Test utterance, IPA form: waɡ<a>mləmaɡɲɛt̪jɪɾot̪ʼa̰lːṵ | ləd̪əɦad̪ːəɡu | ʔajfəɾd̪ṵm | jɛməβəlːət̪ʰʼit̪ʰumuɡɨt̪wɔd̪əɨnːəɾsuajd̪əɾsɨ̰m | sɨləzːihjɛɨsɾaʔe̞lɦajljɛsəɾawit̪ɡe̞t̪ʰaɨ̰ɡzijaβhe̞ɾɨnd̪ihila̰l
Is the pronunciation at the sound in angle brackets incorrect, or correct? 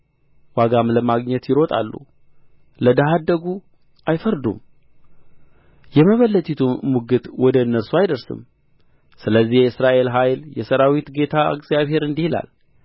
correct